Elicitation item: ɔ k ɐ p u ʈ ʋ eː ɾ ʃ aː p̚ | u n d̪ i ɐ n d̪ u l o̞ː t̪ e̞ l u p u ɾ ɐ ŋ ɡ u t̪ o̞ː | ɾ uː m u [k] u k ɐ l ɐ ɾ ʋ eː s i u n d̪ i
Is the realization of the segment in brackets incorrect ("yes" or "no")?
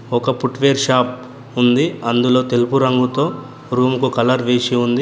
no